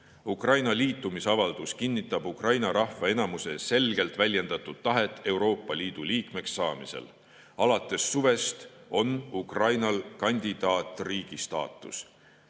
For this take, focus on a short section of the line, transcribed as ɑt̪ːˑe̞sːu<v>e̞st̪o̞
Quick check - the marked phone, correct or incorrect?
correct